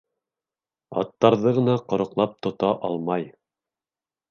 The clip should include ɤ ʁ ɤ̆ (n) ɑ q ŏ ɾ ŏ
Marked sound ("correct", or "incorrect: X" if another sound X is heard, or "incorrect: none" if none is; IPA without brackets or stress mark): correct